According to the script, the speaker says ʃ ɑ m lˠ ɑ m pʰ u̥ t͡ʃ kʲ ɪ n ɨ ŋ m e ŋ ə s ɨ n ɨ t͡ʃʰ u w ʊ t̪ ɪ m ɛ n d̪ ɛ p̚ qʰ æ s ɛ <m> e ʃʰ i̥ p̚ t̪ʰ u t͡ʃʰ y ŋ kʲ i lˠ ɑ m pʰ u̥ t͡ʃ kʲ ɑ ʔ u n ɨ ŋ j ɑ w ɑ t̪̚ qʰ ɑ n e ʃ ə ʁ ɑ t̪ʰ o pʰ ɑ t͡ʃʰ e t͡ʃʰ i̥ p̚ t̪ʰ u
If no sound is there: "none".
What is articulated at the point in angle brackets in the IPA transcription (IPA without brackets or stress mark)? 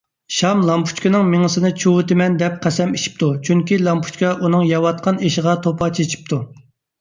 m